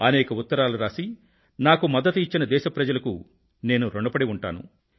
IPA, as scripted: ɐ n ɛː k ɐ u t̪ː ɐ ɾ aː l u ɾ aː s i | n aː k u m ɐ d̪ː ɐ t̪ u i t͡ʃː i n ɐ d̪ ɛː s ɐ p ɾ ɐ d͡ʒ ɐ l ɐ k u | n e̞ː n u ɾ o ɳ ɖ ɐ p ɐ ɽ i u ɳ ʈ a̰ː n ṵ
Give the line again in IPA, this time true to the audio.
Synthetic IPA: ɐ n ɛː k ɐ u t̪ː ɐ ɾ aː l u ɾ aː s i | n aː k u m ɐ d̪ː ɐ t̪ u i t͡ʃː i n ɐ d̪ ɛː ʃ ɐ p ɾ ɐ d͡ʒ ɐ l ɐ k u | n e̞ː n u ɾ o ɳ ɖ ɐ p ɐ ɽ i u ɳ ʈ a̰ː n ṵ